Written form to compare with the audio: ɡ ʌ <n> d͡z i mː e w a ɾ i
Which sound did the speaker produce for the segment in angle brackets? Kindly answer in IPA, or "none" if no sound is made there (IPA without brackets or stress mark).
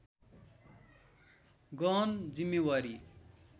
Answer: n